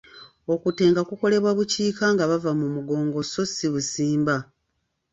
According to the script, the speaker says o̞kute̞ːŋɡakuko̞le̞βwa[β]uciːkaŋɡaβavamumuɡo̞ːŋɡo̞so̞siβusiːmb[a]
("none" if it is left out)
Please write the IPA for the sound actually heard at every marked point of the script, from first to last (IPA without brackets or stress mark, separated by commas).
β, a